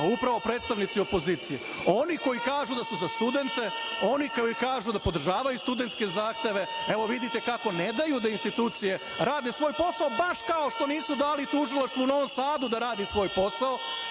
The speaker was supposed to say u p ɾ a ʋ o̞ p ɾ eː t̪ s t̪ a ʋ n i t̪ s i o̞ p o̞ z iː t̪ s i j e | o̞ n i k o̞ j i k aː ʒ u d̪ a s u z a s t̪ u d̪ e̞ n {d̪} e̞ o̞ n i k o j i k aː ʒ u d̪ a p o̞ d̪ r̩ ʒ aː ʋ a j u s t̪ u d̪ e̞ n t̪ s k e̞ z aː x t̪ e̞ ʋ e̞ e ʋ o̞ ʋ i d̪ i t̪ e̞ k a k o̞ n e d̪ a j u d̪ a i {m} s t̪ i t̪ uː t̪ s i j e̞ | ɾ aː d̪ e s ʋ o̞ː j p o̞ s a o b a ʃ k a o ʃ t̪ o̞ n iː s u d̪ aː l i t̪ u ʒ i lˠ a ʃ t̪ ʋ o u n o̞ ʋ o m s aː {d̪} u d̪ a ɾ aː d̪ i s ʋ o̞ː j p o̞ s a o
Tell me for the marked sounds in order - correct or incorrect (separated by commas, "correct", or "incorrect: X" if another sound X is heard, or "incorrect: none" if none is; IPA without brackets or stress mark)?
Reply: incorrect: t̪, incorrect: n, correct